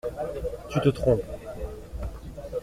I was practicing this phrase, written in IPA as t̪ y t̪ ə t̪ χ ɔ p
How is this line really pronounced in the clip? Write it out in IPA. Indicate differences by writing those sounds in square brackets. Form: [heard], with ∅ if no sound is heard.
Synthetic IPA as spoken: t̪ y t̪ ə t̪ χ [ɔ̃] p